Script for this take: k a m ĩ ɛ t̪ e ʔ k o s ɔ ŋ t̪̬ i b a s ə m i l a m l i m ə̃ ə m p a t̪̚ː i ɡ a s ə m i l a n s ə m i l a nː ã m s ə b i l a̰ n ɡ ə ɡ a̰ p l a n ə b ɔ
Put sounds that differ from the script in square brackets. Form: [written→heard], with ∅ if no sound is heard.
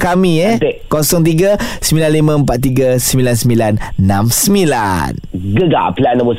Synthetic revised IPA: k a m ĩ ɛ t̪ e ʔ k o s ɔ ŋ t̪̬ i [b→ɡ] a s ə m i l a [m→n] l i m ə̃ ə m p a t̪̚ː i ɡ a s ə m i l a n s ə m i l a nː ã m s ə [b→m] i l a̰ n ɡ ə ɡ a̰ p l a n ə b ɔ